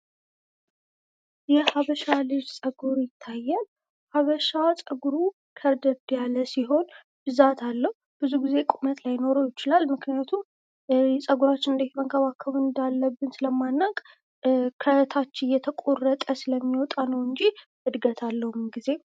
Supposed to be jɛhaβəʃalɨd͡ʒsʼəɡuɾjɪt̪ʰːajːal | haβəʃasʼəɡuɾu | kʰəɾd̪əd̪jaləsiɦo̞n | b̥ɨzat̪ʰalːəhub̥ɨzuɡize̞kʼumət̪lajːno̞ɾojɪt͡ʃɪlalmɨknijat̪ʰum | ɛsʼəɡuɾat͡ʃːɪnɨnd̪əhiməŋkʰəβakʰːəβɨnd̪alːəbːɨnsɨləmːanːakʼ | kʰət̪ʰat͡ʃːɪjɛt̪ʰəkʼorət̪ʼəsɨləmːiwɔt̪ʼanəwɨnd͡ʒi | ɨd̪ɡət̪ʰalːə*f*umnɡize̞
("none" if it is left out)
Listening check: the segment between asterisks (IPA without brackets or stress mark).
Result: h